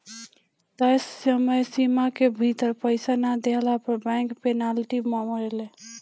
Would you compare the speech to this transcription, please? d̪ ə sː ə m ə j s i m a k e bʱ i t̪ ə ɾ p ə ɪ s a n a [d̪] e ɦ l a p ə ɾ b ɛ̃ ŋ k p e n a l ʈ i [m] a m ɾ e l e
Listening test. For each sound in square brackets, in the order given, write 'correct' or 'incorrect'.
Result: correct, correct

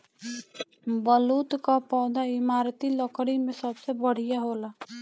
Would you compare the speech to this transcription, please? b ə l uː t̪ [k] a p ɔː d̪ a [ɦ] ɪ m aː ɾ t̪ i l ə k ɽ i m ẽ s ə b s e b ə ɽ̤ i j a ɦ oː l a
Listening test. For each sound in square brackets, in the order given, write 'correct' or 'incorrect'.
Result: correct, incorrect

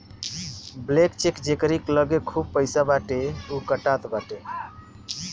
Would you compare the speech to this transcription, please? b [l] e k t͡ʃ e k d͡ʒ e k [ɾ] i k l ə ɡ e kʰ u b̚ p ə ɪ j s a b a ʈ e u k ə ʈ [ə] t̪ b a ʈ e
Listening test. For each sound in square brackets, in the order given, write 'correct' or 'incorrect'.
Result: correct, correct, incorrect

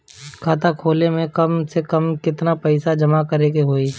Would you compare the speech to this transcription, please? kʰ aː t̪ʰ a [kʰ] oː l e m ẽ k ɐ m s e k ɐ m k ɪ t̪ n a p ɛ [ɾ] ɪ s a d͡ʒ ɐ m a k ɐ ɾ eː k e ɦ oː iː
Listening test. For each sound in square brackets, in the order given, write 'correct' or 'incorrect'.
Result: correct, incorrect

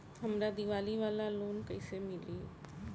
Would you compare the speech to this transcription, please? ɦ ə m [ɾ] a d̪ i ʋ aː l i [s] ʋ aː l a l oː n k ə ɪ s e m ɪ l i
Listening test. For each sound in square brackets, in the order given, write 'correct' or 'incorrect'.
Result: correct, incorrect

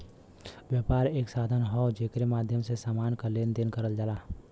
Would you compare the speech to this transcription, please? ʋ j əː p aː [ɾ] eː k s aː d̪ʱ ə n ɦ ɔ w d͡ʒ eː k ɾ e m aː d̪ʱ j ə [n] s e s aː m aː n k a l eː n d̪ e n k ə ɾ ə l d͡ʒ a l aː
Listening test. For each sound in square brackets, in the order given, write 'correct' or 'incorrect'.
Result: correct, incorrect

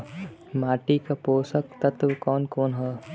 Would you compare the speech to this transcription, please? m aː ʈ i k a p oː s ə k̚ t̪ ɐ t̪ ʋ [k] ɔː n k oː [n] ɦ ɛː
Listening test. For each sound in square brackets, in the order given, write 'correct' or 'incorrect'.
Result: correct, correct

